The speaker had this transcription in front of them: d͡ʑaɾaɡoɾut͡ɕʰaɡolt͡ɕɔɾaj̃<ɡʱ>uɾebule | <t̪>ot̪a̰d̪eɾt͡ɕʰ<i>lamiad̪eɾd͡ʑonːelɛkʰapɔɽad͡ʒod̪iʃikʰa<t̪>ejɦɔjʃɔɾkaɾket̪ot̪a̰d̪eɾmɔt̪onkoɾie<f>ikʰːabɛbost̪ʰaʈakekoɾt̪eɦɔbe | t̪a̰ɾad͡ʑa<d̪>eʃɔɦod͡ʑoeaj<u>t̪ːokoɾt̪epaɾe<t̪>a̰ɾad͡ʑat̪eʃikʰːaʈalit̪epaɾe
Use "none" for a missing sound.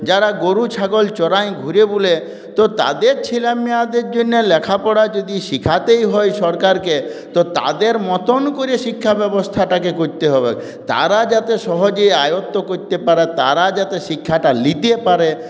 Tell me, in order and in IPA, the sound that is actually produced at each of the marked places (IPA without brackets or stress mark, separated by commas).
ɡʱ, t̪, i, t̪, ʃ, t̪, o, t̪